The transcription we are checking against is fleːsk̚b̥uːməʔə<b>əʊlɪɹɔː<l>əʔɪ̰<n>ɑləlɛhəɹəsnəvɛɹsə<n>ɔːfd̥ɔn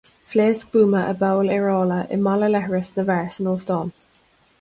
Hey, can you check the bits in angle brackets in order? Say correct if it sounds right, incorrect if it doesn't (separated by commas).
correct, correct, incorrect, correct